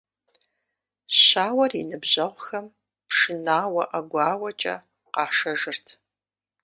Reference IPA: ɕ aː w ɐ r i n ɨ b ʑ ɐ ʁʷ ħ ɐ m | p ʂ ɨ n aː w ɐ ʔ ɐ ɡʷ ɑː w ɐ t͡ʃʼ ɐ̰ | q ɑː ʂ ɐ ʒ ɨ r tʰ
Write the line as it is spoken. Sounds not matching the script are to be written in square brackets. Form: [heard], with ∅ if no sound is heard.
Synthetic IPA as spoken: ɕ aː w ɐ r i n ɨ b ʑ ɐ ʁʷ [x] ɐ m | p ʂ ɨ n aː w ɐ ʔ ɐ ɡʷ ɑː w ɐ t͡ʃʼ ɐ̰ | q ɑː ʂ ɐ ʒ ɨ r tʰ